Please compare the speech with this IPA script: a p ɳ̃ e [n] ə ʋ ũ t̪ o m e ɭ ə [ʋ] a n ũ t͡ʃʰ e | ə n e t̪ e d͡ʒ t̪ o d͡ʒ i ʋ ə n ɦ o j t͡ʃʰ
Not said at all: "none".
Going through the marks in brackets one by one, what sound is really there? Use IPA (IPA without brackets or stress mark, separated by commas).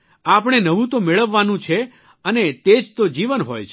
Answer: n, ʋː